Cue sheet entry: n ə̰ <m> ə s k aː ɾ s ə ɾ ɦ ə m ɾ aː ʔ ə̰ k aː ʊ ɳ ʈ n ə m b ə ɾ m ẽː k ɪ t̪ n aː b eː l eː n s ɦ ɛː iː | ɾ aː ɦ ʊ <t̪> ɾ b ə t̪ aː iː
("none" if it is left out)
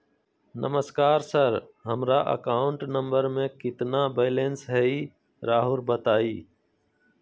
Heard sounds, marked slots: m, none

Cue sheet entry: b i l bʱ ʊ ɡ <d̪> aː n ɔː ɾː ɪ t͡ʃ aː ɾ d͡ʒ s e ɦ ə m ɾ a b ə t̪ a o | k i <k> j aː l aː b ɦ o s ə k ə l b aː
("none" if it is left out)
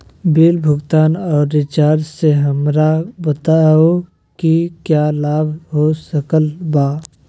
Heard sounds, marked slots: t̪, k

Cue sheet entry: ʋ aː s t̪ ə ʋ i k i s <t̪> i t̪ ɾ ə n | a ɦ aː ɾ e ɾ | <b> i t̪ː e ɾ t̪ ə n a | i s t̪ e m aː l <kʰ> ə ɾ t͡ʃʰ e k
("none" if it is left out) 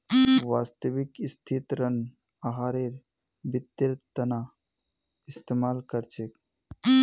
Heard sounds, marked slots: t̪ʰ, b, k

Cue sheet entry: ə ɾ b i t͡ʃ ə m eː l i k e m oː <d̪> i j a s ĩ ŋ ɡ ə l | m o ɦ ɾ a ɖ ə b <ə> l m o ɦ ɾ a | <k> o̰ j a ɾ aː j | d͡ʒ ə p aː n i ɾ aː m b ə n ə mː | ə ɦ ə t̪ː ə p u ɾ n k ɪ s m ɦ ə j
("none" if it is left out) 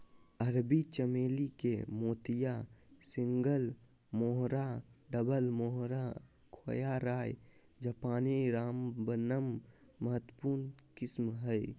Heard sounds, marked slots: t̪, ə, kʰ

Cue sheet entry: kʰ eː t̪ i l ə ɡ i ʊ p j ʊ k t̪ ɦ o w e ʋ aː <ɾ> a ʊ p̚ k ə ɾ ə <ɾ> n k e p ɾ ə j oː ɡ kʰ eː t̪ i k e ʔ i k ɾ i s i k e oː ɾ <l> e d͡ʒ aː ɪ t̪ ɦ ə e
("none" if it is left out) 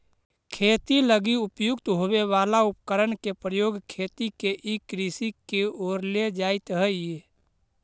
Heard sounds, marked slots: l, none, l

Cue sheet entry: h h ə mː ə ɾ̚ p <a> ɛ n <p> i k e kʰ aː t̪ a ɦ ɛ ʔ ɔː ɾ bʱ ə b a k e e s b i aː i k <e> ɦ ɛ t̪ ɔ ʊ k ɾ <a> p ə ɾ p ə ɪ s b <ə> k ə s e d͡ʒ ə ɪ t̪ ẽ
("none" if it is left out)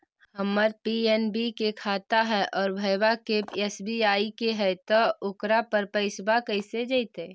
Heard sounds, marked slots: i, b, e, a, a

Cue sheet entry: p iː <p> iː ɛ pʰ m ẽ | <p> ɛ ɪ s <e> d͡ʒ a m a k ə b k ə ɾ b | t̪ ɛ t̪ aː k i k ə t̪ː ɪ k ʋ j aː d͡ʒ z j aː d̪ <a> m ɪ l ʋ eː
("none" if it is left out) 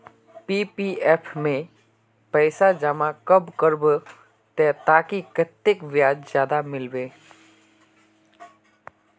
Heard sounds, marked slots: p, p, a, a

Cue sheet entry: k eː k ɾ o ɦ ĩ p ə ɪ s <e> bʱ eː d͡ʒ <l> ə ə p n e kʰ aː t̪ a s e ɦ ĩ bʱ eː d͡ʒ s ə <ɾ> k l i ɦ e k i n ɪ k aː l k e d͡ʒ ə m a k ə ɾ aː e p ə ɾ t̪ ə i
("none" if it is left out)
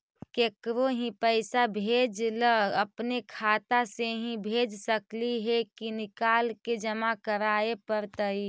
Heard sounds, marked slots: a, l, none

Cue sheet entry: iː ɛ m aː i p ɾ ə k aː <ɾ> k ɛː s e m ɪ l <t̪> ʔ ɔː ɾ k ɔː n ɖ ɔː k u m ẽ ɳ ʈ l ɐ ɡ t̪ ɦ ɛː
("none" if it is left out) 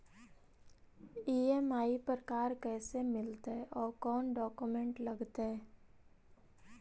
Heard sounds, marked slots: ɾ, t̪

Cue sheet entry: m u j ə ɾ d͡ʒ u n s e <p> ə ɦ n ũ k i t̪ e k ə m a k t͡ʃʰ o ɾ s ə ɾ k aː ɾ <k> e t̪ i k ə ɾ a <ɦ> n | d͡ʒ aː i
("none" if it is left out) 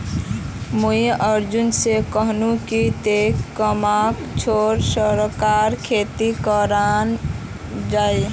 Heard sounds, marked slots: k, kʰ, none

